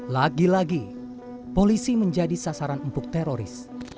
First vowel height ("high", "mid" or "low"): low